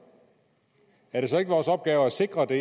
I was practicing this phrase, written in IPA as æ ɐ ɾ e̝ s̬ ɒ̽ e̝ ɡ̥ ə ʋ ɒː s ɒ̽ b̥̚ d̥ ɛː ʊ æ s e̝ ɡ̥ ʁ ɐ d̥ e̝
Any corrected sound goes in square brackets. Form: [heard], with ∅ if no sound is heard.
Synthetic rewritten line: æ ɐ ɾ e̝ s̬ ɒ̽ e̝ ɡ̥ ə ʋ ɒː s ɒ̽ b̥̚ [ɡ̥] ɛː ʊ æ s e̝ ɡ̥ ʁ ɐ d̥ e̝